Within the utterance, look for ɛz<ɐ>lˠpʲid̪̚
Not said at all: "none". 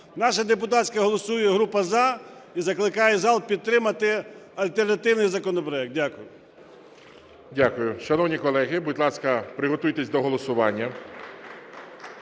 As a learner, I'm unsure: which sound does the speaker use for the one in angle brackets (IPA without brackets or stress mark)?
ɑ